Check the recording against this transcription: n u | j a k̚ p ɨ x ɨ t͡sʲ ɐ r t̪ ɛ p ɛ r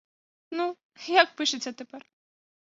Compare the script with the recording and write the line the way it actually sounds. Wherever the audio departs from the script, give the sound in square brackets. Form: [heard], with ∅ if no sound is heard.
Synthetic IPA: n u | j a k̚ p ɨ [ʂ] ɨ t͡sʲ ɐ [∅] t̪ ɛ p ɛ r

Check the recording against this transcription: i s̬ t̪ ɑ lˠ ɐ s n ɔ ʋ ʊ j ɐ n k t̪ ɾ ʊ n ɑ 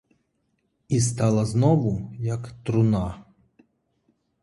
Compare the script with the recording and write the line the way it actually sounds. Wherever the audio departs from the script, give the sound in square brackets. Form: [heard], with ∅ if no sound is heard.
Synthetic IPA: i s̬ t̪ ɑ lˠ ɐ [z] n ɔ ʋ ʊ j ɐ [∅] k t̪ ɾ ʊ n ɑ

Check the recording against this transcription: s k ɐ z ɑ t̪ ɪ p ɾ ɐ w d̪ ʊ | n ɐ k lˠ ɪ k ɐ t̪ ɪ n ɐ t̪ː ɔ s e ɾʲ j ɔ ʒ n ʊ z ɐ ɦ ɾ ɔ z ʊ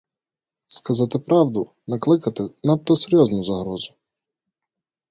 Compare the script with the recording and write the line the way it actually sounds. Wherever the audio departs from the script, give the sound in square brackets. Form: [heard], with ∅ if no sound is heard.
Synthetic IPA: s k ɐ z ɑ t̪ ɪ p ɾ [ɑ] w d̪ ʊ | n ɐ k lˠ ɪ k ɐ t̪ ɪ n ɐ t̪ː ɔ s e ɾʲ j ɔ [z] n ʊ z ɐ ɦ ɾ ɔ z ʊ

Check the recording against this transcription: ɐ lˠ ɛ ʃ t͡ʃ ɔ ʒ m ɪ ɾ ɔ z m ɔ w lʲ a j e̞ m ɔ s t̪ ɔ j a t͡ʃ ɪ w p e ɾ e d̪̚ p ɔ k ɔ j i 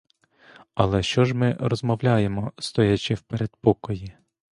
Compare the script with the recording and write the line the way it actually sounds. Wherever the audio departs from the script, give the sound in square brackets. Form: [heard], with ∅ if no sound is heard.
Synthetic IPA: ɐ lˠ ɛ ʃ t͡ʃ ɔ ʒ m ɪ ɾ ɔ z m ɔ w lʲ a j e̞ m ɔ s t̪ ɔ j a t͡ʃ ɪ w p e ɾ e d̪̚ p ɔ k ɔ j i

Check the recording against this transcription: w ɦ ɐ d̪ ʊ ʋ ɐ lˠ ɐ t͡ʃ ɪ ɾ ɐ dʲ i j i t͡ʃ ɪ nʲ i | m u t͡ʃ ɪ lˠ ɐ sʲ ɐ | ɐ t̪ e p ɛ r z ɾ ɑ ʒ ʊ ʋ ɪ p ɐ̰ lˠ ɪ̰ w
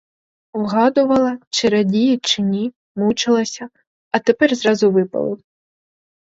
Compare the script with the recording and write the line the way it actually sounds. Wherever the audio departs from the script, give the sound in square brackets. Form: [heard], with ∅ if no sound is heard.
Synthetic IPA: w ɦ [ɑ] d̪ ʊ ʋ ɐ lˠ ɐ t͡ʃ ɪ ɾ ɐ dʲ i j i t͡ʃ ɪ nʲ i | m u t͡ʃ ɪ lˠ ɐ sʲ ɐ | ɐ t̪ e p ɛ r z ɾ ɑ [z] ʊ ʋ ɪ p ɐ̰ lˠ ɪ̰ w

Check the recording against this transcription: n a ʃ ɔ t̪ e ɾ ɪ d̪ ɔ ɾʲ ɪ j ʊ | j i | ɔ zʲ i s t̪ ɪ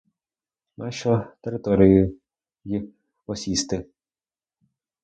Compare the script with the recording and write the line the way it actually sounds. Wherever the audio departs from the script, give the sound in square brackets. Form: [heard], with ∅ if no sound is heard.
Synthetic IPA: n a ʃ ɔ t̪ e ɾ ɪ [t̪] ɔ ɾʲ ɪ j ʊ | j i | ɔ [sʲ] i s t̪ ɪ

